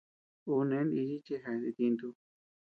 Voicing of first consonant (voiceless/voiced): voiced